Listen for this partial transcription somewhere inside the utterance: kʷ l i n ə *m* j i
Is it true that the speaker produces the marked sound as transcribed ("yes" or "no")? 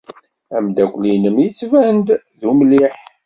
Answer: yes